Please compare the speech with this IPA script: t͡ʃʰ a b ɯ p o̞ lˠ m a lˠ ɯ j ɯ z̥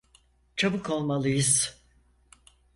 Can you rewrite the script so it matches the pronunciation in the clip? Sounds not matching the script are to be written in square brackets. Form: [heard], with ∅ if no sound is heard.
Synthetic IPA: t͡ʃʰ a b ɯ [k] o̞ lˠ m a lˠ ɯ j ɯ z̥

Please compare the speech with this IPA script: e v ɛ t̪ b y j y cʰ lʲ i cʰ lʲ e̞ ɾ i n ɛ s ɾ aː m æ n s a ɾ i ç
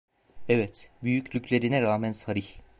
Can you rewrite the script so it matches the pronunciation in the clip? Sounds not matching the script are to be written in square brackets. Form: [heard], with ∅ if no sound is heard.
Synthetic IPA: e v ɛ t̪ b y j y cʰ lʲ [y] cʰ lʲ e̞ ɾ i n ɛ [∅] ɾ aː m æ n s a ɾ i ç

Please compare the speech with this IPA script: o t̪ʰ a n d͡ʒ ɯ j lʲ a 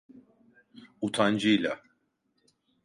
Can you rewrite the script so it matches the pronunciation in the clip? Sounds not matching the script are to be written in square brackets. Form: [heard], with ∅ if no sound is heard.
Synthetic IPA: [u] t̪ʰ a n d͡ʒ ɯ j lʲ a

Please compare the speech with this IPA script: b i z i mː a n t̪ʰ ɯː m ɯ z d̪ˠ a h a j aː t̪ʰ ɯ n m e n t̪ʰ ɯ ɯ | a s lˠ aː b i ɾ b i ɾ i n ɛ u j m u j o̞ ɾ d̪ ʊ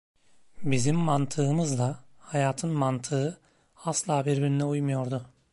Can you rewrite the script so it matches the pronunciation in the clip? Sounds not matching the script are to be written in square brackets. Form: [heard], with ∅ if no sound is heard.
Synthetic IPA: b i z i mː a n t̪ʰ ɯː m ɯ z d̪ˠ a h a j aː t̪ʰ ɯ n m [a] n t̪ʰ ɯ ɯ | a s lˠ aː b i ɾ b i ɾ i n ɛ u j m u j o̞ ɾ d̪ ʊ

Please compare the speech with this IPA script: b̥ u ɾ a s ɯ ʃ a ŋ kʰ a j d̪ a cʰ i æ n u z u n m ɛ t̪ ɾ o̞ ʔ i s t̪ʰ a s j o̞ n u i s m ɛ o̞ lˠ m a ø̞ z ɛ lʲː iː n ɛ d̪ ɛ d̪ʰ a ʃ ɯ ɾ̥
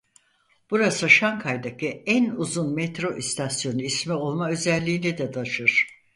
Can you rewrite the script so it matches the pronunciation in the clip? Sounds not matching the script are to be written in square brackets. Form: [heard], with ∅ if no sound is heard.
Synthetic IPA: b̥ u ɾ a s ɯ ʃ a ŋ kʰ a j d̪ a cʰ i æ n u z u n m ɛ t̪ ɾ o̞ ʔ i s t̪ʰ a s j o̞ n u i s m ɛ o̞ lˠ m a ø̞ z ɛ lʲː iː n ɛ d̪ ɛ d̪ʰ a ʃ ɯ ɾ̥

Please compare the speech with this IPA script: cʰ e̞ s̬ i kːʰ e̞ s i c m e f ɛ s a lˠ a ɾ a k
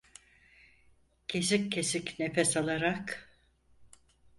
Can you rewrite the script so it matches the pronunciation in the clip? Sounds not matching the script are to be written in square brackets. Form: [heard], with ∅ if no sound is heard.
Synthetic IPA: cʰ e̞ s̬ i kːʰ e̞ s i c [n] e f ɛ s a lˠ a ɾ a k

